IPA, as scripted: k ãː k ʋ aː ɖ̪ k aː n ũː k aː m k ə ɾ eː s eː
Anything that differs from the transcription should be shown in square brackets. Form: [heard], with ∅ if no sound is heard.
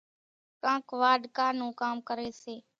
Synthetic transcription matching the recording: k ãː k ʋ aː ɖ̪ k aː n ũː k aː m k ə ɾ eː s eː